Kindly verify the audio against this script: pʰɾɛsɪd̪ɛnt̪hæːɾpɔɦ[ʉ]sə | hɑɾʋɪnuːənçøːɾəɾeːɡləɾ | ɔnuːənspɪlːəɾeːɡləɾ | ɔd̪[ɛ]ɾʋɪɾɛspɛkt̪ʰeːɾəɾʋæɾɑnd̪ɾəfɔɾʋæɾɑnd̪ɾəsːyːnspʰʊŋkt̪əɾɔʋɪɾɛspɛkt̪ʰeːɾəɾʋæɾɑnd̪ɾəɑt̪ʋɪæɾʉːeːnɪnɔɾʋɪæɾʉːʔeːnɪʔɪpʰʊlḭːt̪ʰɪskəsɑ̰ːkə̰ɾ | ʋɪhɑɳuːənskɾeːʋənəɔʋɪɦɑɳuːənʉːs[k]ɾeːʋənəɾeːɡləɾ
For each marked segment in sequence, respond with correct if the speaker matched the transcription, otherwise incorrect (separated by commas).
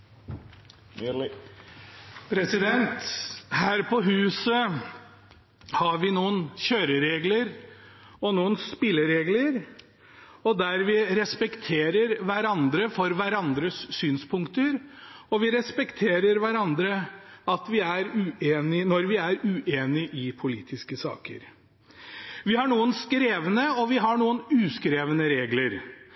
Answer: incorrect, incorrect, correct